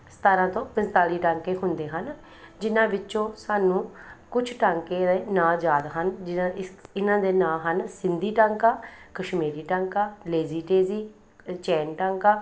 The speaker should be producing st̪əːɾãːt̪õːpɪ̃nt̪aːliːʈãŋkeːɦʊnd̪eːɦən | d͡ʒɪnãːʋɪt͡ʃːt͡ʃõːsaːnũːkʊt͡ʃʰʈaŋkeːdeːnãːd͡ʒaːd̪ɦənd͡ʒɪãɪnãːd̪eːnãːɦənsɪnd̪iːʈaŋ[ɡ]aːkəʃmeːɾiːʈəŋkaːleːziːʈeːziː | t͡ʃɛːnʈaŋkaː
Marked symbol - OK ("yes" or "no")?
no